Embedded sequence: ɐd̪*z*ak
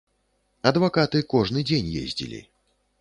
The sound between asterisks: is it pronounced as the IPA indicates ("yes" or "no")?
no